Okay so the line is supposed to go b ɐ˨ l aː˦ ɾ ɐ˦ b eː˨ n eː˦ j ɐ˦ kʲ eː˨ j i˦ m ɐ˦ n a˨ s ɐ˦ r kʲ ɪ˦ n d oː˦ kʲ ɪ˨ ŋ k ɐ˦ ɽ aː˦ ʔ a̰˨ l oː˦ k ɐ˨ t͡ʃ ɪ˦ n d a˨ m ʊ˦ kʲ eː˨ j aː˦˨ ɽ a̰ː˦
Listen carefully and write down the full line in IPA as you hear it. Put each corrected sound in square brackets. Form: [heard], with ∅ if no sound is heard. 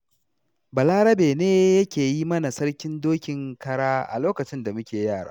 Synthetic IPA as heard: b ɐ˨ l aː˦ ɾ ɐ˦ b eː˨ n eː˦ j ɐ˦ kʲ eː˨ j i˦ m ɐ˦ n a˨ s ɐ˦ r kʲ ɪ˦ n d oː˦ kʲ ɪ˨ ŋ k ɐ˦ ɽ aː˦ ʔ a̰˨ l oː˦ k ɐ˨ t͡ʃ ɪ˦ n d a˨ m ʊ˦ kʲ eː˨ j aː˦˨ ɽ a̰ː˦